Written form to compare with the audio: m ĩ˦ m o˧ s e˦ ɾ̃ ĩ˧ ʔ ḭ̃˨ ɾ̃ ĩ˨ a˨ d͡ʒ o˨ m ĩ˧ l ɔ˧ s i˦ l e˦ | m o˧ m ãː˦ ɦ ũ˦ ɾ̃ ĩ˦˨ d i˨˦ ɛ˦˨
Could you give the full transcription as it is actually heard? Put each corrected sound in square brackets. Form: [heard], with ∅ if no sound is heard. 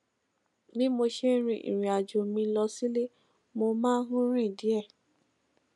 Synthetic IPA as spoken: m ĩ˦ m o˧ [ʃ] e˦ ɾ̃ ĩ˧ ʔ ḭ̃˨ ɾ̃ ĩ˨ a˨ d͡ʒ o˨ m ĩ˧ l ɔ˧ s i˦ l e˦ | m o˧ m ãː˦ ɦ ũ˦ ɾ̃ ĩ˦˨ d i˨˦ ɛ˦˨